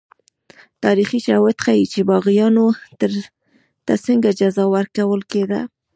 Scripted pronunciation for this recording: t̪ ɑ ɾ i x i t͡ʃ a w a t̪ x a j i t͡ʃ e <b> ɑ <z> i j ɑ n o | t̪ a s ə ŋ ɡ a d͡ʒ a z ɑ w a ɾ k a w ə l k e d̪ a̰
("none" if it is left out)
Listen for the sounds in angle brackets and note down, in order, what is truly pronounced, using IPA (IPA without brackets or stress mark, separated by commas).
b, ɣ